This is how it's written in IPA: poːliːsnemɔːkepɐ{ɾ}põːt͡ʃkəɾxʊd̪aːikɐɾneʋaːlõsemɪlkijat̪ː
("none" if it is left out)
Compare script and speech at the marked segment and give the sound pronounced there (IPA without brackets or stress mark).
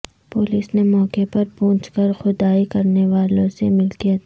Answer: ɾ